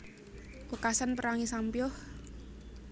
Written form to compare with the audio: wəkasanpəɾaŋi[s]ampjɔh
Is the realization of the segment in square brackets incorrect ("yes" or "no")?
no